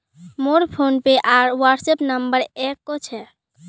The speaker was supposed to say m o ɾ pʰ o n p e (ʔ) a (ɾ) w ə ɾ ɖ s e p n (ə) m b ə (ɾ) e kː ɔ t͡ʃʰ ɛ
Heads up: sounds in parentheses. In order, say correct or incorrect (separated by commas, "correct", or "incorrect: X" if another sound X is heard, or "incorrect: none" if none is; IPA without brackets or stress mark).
correct, correct, correct, correct